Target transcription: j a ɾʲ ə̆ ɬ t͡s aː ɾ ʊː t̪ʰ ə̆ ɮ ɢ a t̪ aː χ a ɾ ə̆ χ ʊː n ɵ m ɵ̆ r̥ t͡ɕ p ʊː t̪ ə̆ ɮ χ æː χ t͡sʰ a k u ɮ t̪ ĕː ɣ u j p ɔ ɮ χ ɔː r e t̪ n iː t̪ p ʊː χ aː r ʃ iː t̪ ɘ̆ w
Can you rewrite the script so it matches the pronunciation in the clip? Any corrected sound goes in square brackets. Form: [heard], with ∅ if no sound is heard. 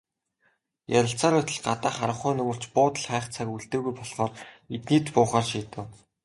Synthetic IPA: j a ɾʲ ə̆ ɬ t͡s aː ɾ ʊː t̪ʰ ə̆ ɮ ɢ a t̪ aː χ a ɾ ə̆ χ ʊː n ɵ m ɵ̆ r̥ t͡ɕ p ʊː t̪ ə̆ ɮ χ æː χ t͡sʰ a k u ɮ t̪ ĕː ɣ u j p ɔ ɮ χ ɔː r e t̪ n iː t̪ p ʊː χ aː r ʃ iː t̪ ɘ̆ w